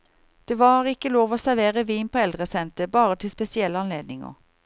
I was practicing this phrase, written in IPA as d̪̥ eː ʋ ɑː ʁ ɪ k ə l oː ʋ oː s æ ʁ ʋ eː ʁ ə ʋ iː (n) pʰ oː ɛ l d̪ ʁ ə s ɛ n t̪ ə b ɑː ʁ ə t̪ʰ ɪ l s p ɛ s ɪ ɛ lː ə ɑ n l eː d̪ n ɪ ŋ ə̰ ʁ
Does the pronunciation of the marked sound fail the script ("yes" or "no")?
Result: no